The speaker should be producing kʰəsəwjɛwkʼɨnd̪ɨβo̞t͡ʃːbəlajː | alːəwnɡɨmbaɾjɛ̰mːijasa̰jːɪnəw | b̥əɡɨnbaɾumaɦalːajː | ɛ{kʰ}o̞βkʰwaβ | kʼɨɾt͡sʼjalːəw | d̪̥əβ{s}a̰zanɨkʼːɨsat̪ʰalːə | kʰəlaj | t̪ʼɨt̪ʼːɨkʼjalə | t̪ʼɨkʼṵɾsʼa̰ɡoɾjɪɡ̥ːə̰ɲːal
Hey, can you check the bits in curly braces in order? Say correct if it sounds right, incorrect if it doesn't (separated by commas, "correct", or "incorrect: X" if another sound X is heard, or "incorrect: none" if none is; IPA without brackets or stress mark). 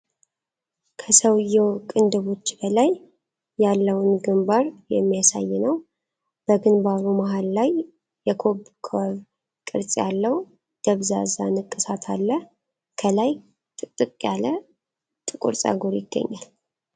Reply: correct, incorrect: z